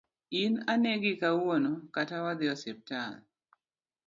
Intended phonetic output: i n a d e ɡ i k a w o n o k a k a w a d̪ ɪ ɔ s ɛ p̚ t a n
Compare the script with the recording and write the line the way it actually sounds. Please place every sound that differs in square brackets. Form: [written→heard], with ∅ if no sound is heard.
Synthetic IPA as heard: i n a [d→n] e ɡ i k a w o n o k a [k→t] a w a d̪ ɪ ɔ s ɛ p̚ t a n